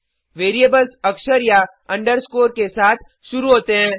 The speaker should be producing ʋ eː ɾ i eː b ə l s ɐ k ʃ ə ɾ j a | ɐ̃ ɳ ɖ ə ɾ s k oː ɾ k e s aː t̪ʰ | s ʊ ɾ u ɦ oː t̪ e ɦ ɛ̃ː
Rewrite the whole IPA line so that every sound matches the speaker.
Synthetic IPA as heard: ʋ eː ɾ i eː b ə l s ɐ k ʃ ə ɾ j a | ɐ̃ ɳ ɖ ə ɾ s k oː ɾ k e s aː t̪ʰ | ʃ ʊ ɾ u ɦ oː t̪ e ɦ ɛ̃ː